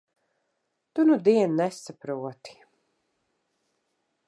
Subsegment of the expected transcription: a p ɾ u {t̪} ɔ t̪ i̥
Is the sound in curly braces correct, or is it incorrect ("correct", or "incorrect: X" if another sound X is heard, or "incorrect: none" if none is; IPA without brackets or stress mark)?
incorrect: none